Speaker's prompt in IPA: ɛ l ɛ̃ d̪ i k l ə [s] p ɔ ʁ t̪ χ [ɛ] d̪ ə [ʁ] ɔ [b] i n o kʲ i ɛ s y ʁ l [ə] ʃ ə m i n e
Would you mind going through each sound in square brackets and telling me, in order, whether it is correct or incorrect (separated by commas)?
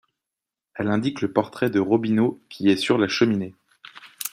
incorrect, correct, correct, correct, incorrect